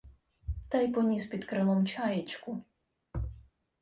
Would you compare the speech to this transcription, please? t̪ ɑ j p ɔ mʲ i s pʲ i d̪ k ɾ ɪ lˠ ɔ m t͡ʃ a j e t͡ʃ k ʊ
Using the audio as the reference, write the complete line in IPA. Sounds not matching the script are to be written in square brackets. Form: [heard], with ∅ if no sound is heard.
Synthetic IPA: t̪ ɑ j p ɔ [nʲ] i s pʲ i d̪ k ɾ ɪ lˠ ɔ m t͡ʃ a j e t͡ʃ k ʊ